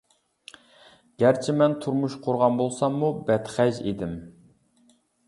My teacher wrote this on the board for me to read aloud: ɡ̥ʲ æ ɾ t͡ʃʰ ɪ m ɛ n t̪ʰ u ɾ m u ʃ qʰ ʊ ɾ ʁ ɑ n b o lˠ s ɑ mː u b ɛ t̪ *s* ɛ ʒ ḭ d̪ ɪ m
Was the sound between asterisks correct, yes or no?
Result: no